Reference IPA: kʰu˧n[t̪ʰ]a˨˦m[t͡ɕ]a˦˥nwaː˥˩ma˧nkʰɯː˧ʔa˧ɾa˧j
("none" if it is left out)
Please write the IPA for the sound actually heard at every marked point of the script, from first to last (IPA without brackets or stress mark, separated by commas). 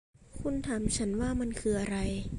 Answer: t̪ʰ, t͡ɕʰ